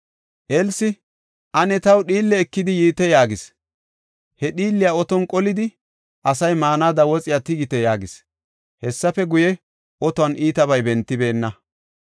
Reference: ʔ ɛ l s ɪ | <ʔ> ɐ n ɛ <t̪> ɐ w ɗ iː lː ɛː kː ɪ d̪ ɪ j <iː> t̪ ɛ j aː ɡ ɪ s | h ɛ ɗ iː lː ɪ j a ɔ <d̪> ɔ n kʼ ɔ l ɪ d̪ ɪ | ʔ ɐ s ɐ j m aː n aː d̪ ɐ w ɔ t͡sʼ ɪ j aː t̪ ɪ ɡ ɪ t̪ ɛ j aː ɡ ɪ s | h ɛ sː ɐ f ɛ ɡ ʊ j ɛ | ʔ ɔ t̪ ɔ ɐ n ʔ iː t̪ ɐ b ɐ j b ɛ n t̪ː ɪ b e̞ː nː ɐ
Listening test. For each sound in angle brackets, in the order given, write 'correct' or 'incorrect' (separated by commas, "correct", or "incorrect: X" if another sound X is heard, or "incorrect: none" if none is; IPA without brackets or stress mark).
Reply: correct, correct, correct, incorrect: t̪